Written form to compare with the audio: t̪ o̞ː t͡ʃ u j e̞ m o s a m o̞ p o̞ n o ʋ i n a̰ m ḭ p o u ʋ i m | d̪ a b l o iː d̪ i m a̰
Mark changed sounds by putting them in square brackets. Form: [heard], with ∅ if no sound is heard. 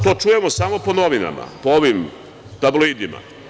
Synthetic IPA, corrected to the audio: t̪ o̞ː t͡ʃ u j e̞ m o s a m o̞ p o̞ n o ʋ i n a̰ m [a̰] p o [o] ʋ i m | [t̪] a b l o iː d̪ i m a̰